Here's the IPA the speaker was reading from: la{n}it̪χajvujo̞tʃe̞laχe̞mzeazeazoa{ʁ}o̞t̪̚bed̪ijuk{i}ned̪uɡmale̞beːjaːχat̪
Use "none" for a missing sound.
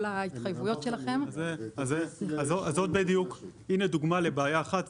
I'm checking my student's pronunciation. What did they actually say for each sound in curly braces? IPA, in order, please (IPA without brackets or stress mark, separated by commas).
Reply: none, z, i